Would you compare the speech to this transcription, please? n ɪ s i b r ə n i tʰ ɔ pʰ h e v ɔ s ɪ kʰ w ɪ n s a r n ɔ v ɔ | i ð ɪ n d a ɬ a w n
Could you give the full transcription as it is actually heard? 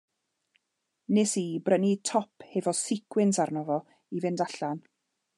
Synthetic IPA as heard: n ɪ s i b r ə n i tʰ ɔ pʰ h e v ɔ s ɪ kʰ w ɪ n s a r n ɔ v ɔ | i v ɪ n d a ɬ a n